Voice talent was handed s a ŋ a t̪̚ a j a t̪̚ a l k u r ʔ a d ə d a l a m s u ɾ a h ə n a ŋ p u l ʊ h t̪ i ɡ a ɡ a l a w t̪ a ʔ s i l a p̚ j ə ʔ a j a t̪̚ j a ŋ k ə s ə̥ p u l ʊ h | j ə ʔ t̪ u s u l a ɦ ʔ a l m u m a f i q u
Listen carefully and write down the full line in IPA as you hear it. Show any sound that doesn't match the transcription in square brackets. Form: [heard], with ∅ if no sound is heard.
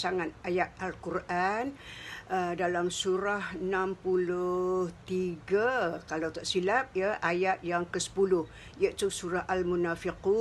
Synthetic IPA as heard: s a ŋ a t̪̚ a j a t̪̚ a l k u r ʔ a [n] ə d a l a m s u ɾ a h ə n a [m] p u l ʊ h t̪ i ɡ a [k] a l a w t̪ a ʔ s i l a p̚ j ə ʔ a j a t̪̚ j a ŋ k ə s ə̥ p u l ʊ h | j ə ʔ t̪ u s u [ɾ] a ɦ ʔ a l m u [n] a f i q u

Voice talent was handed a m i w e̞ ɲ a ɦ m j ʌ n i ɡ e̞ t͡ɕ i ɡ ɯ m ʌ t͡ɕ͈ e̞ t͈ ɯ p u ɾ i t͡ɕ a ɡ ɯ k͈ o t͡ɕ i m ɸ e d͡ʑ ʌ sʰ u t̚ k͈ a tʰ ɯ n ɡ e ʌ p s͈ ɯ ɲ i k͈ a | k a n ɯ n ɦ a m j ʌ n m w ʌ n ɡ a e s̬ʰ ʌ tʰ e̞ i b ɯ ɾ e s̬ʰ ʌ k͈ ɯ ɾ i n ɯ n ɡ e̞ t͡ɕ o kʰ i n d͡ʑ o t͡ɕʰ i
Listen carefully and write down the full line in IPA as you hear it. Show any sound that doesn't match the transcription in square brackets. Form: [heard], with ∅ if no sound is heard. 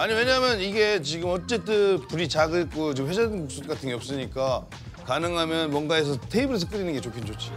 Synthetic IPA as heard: a [ɲ] i w e̞ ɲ a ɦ m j ʌ n i ɡ e̞ t͡ɕ i ɡ ɯ m ʌ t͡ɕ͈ e̞ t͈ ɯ p u ɾ i t͡ɕ a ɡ ɯ k͈ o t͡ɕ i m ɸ e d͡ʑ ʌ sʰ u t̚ k͈ a tʰ ɯ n ɡ e ʌ p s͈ ɯ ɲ i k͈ a | k a n ɯ [ŋ] ɦ a m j ʌ n m w ʌ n ɡ a e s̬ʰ ʌ tʰ e̞ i b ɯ ɾ e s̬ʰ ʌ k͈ ɯ ɾ i n ɯ n ɡ e̞ t͡ɕ o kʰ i n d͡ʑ o t͡ɕʰ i

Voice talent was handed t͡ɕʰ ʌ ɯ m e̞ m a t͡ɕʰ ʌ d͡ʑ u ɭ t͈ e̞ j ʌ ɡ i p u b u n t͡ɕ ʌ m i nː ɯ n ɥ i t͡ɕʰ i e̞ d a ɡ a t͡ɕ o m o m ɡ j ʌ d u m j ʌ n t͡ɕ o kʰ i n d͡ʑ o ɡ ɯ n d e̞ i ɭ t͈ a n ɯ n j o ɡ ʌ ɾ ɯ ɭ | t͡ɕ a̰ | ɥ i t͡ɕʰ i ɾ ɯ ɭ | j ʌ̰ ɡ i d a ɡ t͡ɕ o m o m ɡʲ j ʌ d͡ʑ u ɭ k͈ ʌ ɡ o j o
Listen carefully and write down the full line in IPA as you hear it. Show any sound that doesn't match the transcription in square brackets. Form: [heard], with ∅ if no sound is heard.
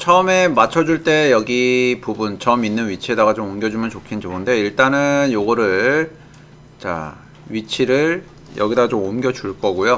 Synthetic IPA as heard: t͡ɕʰ ʌ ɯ m e̞ m a t͡ɕʰ ʌ d͡ʑ u ɭ t͈ e̞ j ʌ ɡ i p u b u n t͡ɕ ʌ m i nː ɯ n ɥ i t͡ɕʰ i e̞ d a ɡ a t͡ɕ o m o m ɡ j ʌ [d͡ʑ] u m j ʌ n t͡ɕ o kʰ i n d͡ʑ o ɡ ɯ n d e̞ i ɭ t͈ a n ɯ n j o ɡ ʌ ɾ ɯ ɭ | t͡ɕ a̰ | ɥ i t͡ɕʰ i ɾ ɯ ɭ | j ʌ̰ ɡ i d a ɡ t͡ɕ o m o m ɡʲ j ʌ d͡ʑ u ɭ k͈ ʌ ɡ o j o

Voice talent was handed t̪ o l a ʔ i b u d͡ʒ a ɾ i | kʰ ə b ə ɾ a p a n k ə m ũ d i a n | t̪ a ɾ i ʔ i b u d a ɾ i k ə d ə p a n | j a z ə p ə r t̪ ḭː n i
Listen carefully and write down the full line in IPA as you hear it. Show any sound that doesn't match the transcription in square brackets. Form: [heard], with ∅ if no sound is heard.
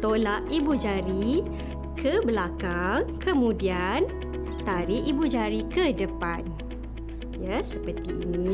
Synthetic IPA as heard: t̪ o l a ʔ i b u d͡ʒ a ɾ i | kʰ ə b ə [l] a [k] a [ŋ] k ə m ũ d i a n | t̪ a ɾ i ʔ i b u [d͡ʒ] a ɾ i k ə d ə p a n | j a [s] ə p ə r t̪ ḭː n i

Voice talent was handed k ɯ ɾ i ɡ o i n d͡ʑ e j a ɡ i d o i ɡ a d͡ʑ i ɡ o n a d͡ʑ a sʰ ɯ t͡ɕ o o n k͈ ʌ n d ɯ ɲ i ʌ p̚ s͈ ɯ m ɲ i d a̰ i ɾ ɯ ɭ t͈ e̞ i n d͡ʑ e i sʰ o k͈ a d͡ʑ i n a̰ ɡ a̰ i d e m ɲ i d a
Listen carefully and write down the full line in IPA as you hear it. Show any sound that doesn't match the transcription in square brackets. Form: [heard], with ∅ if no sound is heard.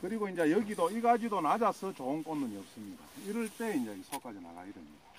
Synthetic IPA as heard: k ɯ ɾ i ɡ o i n d͡ʑ e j [ʌ] ɡ i d o i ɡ a d͡ʑ i [d] o n a d͡ʑ a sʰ ɯ t͡ɕ o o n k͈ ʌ n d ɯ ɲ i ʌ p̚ s͈ ɯ m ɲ i d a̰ i ɾ ɯ ɭ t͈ e̞ i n d͡ʑ e i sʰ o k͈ a d͡ʑ i n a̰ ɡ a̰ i d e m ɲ i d a

